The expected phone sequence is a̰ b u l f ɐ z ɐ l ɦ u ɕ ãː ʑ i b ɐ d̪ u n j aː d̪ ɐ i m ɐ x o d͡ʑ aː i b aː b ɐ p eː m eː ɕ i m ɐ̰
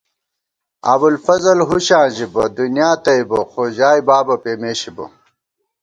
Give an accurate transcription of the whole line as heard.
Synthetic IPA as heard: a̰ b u l f ɐ z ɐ l ɦ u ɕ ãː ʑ i b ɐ d̪ u n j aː t̪ ɐ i b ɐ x o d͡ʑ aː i b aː b ɐ p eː m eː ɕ i b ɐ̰